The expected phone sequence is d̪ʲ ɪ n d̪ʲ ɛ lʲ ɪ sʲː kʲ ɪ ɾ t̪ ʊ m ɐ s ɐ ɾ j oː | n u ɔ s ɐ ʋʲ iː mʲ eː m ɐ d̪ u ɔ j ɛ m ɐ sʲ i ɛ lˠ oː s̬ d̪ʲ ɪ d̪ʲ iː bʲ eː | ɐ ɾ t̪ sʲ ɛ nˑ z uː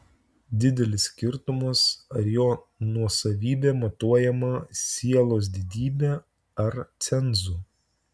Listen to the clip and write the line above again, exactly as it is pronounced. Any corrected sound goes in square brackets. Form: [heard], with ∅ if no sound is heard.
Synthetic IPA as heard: d̪ʲ ɪ [∅] d̪ʲ ɛ lʲ ɪ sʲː kʲ ɪ ɾ t̪ ʊ m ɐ s ɐ ɾ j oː | n u ɔ s ɐ ʋʲ iː [bʲ] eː m ɐ [t̪] u ɔ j ɛ m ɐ sʲ i ɛ lˠ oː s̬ d̪ʲ ɪ d̪ʲ iː bʲ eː | ɐ ɾ t̪ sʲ ɛ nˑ z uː